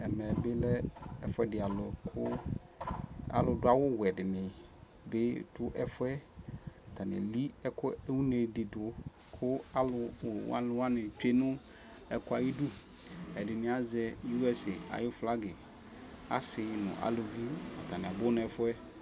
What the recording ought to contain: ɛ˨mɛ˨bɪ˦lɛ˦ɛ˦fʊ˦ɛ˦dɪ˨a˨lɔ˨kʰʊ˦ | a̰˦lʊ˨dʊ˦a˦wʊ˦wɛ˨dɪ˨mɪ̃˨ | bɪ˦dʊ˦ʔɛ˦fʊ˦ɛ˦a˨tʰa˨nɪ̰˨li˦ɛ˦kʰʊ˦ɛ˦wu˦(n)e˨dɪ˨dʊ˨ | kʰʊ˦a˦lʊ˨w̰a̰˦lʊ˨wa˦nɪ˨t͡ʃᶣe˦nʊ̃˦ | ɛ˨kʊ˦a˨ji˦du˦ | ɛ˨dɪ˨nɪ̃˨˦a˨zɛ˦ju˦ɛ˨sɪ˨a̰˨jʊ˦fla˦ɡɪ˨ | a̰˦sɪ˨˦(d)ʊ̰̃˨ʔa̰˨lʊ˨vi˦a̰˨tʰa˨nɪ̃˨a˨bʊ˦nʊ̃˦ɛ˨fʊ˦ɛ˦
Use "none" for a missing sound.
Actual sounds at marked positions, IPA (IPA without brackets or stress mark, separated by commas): n, n